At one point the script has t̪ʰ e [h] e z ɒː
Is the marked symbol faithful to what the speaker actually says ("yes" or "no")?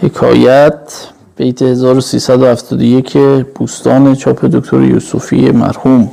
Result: yes